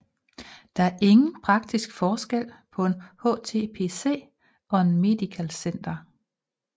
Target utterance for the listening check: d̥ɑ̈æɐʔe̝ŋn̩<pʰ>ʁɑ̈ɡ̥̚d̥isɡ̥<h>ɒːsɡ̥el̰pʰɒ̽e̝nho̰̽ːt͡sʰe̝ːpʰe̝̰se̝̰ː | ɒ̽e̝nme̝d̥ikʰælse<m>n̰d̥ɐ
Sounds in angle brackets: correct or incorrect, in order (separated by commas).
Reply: correct, incorrect, incorrect